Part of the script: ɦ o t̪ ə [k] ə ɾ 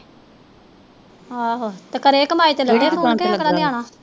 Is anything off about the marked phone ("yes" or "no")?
no